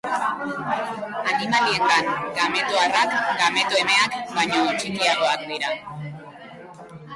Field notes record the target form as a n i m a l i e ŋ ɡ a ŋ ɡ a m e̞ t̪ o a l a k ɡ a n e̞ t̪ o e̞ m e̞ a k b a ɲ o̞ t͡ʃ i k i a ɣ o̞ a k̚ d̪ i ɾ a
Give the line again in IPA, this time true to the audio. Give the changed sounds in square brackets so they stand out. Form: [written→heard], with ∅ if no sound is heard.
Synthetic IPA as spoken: a n i m a l i e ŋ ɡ a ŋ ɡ a m e̞ t̪ o a [l→r] a k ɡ a [n→m] e̞ t̪ o e̞ m e̞ a k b a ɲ o̞ t͡ʃ i k i a ɣ o̞ a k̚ d̪ i ɾ a